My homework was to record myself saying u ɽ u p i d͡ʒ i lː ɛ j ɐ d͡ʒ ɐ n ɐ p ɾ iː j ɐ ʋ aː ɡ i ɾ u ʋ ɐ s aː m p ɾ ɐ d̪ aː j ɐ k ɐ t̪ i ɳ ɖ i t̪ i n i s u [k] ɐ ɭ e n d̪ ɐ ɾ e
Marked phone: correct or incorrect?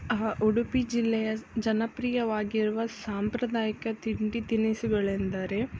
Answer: incorrect